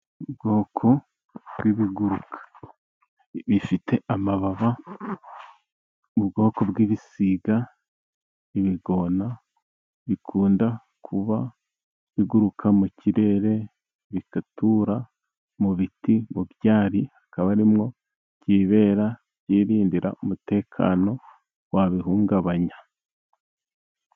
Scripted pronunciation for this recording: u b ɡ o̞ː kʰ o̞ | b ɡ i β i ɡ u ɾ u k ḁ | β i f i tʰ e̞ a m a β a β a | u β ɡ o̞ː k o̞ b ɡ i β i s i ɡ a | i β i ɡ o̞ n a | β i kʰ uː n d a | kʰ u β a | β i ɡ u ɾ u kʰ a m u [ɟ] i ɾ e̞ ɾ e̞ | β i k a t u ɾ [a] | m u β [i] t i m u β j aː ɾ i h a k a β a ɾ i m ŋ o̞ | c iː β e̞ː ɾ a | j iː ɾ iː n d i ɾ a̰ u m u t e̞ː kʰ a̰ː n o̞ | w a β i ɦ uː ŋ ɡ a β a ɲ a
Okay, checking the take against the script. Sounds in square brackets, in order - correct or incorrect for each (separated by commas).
incorrect, correct, correct